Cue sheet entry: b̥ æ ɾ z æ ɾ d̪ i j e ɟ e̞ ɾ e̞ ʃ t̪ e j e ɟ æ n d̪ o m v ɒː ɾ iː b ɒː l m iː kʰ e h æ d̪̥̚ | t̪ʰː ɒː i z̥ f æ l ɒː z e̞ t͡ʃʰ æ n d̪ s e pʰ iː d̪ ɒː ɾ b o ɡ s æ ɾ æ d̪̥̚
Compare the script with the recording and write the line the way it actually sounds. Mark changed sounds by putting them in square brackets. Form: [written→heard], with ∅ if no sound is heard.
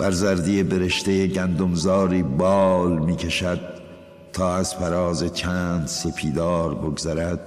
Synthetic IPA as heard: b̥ æ ɾ z æ ɾ d̪ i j e [ɟ→b] e̞ ɾ e̞ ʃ t̪ e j e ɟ æ n d̪ o m [v→z] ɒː ɾ iː b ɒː l m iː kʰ e [h→ʃ] æ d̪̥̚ | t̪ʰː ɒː [i→æ] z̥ f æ [l→ɾ] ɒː z e̞ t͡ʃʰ æ n d̪ s e pʰ iː d̪ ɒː ɾ b o ɡ [s→z] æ ɾ æ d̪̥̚